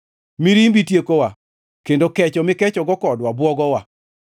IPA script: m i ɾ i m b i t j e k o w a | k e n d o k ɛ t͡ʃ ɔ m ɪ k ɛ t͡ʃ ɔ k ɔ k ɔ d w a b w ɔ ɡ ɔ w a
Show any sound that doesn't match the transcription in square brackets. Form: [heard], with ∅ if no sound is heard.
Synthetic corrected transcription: m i ɾ i m b i t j e k o w a | k e n d o k ɛ t͡ʃ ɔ m ɪ k ɛ t͡ʃ ɔ [ɡ] ɔ k ɔ d w a b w ɔ ɡ ɔ w a